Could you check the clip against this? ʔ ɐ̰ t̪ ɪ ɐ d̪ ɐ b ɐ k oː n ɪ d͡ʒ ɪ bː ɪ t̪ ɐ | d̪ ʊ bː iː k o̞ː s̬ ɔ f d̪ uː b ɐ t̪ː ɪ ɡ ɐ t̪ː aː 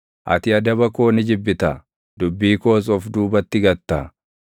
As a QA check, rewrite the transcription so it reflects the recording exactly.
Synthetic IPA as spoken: ʔ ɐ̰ t̪ ɪ ɐ d̪ ɐ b ɐ k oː n ɪ d͡ʒ ɪ bː ɪ t̪ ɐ | d̪ ʊ bː iː k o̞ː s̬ ɔ f d̪ uː b ɐ t̪ː ɪ ɡ ɐ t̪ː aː